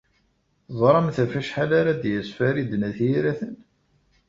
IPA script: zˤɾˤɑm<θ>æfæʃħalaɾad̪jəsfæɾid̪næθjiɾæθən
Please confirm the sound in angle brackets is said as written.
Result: yes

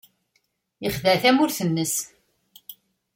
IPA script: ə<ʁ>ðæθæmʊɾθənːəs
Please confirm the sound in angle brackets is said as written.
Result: no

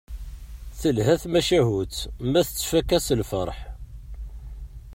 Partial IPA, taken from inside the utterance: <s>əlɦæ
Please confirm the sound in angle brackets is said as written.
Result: no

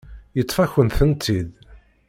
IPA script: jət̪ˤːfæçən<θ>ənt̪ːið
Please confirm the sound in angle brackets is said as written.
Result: yes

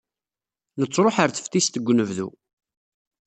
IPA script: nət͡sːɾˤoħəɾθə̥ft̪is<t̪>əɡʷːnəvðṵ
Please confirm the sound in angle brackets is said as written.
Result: yes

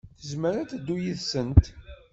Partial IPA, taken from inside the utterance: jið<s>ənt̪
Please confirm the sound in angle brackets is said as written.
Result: yes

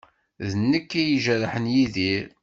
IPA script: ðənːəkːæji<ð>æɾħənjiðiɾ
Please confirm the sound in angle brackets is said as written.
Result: no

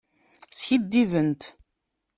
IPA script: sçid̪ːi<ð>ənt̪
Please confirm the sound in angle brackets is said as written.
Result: no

